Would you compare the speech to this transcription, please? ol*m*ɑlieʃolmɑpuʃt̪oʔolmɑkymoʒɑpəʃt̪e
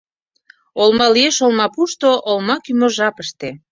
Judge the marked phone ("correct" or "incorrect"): correct